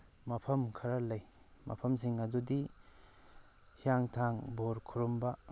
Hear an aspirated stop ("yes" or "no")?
yes